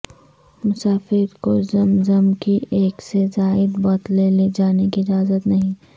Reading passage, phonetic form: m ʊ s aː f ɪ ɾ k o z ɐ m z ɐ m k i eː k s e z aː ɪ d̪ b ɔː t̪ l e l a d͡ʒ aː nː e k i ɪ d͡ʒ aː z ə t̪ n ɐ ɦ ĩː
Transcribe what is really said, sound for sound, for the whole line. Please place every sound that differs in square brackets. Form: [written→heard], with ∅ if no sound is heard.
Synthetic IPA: m ʊ s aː f ɪ ɾ k o z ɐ m z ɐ m k i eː k s e z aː ɪ d̪ b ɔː t̪ l e l [a→e] d͡ʒ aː [nː→n] e k i ɪ d͡ʒ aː z ə t̪ n ɐ ɦ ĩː